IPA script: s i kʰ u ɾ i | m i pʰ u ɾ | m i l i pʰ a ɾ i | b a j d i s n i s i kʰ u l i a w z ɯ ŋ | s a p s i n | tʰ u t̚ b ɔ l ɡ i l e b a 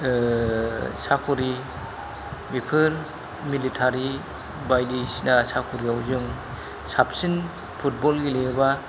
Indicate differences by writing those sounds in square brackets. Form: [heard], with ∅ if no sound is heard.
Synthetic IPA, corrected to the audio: s [a] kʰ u ɾ i | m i pʰ [ɯ] ɾ | m i l i [tʰ] a ɾ i | b a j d i s n [a] s [a] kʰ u [ɾ] i a w z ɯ ŋ | s a p s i n | [pʰ] u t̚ b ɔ l ɡ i l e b a